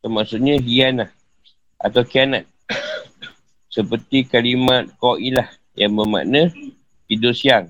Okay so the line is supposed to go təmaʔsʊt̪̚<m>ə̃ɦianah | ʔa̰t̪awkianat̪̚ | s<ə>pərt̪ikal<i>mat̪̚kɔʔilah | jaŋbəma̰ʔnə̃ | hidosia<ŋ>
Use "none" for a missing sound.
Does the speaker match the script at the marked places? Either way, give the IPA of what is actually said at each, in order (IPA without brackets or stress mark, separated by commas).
ɲ, ə, i, ŋ